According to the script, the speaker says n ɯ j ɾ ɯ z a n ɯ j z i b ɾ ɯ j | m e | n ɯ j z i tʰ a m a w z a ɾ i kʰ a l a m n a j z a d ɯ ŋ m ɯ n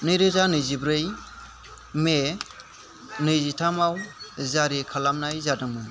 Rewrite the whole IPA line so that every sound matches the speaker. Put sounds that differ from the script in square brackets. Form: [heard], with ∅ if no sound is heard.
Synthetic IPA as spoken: n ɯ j ɾ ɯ z a n ɯ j z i b ɾ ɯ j | m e | n ɯ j z i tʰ a m a w z a ɾ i kʰ a l a m n a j z a d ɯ ŋ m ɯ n

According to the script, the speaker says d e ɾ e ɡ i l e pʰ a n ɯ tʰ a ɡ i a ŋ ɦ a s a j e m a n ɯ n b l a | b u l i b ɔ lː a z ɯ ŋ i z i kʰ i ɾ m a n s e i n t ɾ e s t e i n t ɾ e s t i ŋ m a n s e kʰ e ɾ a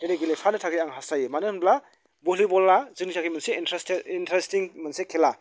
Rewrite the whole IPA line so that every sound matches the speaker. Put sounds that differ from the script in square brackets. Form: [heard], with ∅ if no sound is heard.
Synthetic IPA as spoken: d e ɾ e ɡ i l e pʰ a n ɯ tʰ a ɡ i a ŋ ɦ a s a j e m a n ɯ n b l a | b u l i b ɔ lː a z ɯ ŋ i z [a] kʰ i [∅] m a n s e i n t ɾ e s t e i n t ɾ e s t i ŋ m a n s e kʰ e [l] a

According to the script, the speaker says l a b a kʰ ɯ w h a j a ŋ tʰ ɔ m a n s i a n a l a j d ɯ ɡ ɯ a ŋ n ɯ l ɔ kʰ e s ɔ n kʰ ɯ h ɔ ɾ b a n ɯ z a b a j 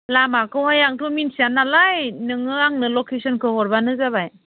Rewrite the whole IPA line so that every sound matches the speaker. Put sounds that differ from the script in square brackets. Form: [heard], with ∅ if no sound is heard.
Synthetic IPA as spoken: l a [m] a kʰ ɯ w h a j a ŋ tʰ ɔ m [i] n s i a n a l a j [n] ɯ [ŋ] ɯ a ŋ n ɯ l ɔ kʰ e s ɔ n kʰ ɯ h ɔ ɾ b a n ɯ z a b a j

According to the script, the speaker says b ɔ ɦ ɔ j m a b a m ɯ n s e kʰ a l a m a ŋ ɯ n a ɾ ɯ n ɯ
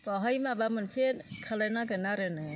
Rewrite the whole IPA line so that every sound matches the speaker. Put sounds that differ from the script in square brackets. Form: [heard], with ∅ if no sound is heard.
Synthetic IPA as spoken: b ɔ ɦ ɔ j m a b a m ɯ n s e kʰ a l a [n] a [ɡ] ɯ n a ɾ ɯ n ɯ

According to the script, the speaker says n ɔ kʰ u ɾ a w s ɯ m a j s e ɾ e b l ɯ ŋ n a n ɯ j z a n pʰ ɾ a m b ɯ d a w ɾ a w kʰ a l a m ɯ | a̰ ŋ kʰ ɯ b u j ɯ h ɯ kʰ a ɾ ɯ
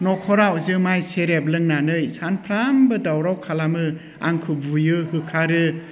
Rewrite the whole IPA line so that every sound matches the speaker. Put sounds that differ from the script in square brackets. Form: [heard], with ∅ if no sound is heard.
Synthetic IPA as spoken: n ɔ kʰ [ɔ] ɾ a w [z] ɯ m a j s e ɾ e b l ɯ ŋ n a n ɯ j [s] a n pʰ ɾ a m b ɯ d a w ɾ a w kʰ a l a m ɯ | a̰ ŋ kʰ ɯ b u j ɯ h ɯ kʰ a ɾ ɯ

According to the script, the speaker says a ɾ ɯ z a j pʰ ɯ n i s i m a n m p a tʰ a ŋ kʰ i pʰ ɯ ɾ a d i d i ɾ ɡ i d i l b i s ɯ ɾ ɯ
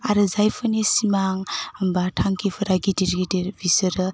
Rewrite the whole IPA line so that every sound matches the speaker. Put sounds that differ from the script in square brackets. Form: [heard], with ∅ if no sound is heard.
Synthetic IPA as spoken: a ɾ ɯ z a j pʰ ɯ n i s i m a [ŋ] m [b] a tʰ a ŋ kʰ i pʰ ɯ ɾ a [ɡ] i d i ɾ ɡ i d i [ɾ] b i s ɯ ɾ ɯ

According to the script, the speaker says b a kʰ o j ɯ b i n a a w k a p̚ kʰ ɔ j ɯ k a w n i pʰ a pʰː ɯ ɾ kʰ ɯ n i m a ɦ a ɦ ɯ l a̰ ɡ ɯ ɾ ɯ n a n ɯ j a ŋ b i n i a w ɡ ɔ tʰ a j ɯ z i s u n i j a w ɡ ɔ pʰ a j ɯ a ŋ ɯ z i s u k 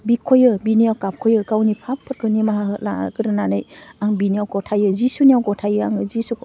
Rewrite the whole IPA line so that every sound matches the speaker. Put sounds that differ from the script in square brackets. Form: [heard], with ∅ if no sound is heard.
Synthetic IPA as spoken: b [i] kʰ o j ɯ b i n [i] a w k a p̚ kʰ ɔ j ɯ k a w n i pʰ a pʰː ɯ ɾ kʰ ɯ n i m a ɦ a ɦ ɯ l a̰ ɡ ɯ ɾ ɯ n a n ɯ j a ŋ b i n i a w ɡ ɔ tʰ a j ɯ z i s u n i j a w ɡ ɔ [tʰ] a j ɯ a ŋ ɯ z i s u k

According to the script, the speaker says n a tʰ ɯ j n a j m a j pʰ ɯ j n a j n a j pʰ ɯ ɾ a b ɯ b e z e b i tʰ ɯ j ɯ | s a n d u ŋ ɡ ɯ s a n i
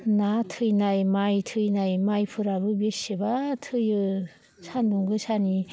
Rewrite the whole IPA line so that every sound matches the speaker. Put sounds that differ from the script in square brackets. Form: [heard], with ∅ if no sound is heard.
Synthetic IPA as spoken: n a tʰ ɯ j n a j m a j [tʰ] ɯ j n a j [m] a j pʰ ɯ ɾ a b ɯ b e [s] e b [a] tʰ ɯ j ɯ | s a n d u ŋ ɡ ɯ s a n i

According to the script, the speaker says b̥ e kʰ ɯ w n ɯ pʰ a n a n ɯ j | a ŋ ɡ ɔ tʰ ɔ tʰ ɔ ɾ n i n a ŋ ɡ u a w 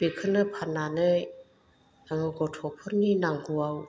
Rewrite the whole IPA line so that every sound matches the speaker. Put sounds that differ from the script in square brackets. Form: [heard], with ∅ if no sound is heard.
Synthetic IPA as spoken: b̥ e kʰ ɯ [∅] n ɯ pʰ a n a n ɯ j | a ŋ ɡ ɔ tʰ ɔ [pʰ] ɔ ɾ n i n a ŋ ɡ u a w

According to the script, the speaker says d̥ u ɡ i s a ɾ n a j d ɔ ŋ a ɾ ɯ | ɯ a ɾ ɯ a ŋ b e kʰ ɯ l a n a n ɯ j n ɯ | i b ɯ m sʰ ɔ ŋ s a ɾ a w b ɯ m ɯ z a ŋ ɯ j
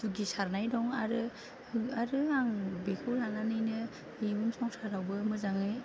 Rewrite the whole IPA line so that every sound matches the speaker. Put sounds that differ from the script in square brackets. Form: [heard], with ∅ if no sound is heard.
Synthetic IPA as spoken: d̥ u ɡ i s a ɾ n a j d ɔ ŋ a ɾ ɯ | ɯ a ɾ ɯ a ŋ b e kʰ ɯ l a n a n ɯ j n ɯ | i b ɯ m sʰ ɔ ŋ s a ɾ a w b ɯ m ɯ z a ŋ ɯ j

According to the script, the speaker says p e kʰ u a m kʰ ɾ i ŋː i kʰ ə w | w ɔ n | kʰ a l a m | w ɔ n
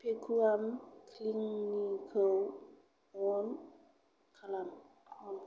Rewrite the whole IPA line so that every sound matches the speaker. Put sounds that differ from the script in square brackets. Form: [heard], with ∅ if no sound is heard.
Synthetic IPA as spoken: p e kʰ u a m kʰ [l] i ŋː i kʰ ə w | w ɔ n | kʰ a l a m | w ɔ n

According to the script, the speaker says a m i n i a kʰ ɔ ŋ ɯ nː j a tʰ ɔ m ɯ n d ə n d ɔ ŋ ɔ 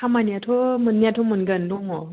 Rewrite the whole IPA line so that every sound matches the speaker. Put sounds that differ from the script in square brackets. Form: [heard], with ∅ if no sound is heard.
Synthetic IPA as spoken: a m [a] n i a [tʰ] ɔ [m] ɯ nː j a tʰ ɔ m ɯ n [ɡ] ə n d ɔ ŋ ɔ

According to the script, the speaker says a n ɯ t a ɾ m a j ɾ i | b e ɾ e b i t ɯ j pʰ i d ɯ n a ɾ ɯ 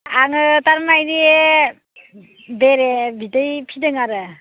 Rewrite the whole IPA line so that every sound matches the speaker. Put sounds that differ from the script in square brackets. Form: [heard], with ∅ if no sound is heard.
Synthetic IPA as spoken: a [ŋ] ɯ t a ɾ m a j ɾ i | b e ɾ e b i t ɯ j pʰ i d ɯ [ŋ] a ɾ ɯ

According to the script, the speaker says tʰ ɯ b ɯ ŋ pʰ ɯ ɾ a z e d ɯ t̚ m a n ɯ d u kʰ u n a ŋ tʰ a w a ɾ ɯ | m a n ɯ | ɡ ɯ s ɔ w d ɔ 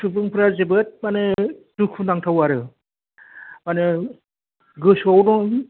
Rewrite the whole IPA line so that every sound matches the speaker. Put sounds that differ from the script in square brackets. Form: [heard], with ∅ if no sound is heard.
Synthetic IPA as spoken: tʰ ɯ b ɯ ŋ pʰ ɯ ɾ a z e [b] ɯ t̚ m a n ɯ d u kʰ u n a ŋ tʰ a w a ɾ ɯ | m a n ɯ | ɡ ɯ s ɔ w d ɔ

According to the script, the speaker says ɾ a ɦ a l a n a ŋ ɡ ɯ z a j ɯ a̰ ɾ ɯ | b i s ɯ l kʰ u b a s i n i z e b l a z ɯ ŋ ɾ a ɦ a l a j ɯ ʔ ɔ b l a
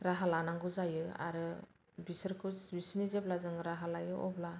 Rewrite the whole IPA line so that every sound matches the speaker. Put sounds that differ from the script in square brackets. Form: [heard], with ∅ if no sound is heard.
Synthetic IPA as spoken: ɾ a ɦ a l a n a ŋ ɡ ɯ z a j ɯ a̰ ɾ ɯ | b i s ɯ [ɾ] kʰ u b [i] s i n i z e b l a z ɯ ŋ ɾ a ɦ a l a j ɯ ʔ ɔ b l a

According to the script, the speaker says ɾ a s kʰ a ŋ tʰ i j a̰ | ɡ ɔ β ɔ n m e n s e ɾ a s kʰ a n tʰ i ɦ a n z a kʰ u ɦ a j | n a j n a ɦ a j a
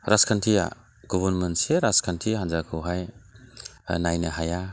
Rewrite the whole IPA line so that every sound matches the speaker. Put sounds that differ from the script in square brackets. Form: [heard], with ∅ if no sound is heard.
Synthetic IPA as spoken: ɾ a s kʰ a [n] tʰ i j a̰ | ɡ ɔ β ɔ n m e n s e ɾ a s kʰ a n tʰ i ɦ a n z a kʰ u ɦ a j | n a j n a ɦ a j a

